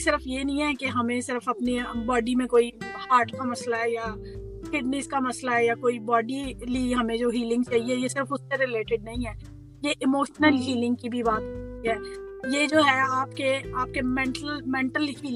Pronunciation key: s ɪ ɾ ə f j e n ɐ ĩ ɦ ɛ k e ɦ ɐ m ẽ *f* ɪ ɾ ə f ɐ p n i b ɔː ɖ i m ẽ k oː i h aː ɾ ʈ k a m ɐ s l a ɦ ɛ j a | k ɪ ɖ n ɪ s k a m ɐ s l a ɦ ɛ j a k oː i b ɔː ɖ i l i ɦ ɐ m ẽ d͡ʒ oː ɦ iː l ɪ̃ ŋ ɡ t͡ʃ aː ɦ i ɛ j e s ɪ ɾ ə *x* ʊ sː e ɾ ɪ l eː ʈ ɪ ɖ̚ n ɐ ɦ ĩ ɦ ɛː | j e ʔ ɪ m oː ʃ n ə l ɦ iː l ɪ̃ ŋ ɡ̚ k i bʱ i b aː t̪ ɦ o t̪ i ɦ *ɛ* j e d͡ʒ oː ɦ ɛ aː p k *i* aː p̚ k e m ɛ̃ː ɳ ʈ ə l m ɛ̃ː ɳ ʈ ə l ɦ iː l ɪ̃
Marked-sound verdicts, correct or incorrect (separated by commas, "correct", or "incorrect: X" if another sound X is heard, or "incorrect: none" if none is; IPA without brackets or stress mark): incorrect: s, incorrect: f, incorrect: ɛː, incorrect: e